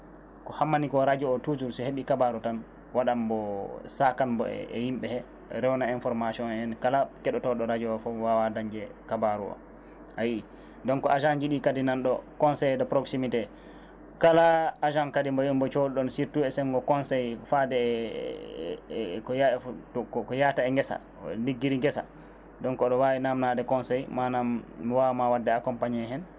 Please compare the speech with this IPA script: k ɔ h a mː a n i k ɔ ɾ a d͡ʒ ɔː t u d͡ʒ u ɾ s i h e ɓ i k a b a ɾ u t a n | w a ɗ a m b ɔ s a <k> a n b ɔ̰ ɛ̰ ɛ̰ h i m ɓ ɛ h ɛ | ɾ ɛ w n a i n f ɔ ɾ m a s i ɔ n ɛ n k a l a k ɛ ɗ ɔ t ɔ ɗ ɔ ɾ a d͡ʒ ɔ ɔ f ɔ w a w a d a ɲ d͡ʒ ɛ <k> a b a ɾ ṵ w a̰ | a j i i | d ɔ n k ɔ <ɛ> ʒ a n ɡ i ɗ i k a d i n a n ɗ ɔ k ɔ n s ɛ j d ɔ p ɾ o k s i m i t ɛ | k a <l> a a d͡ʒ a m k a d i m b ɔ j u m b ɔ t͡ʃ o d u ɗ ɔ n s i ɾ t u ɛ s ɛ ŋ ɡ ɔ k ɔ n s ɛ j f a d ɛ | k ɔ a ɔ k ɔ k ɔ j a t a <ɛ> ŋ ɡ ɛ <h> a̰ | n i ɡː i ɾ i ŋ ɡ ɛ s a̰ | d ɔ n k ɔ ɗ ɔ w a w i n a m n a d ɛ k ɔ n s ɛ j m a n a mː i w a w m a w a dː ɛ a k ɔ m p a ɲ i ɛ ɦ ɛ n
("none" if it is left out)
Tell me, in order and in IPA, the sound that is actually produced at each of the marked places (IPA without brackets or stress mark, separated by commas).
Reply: k, k, a, l, ɛ, s